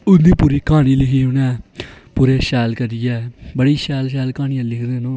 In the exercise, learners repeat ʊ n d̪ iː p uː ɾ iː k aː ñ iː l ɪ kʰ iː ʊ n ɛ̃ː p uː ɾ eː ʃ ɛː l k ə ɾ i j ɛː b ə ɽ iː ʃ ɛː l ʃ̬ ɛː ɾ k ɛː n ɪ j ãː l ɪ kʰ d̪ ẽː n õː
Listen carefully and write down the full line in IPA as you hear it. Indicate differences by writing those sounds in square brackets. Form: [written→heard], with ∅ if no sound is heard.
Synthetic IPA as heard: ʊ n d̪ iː p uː ɾ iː k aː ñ iː l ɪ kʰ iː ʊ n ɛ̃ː p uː ɾ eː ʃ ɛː l k ə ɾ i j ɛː b ə ɽ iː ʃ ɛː l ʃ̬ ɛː [ɾ→l] k [ɛː→aː] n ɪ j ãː l ɪ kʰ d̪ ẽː n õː